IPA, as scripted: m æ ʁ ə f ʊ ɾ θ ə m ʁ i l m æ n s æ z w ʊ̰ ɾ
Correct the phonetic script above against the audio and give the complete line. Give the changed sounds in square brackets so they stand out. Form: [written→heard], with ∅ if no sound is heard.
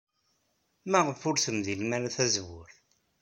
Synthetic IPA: m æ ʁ ə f ʊ ɾ θ ə m [ʁ→ð] i l m æ n [s→θ] æ z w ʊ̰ ɾ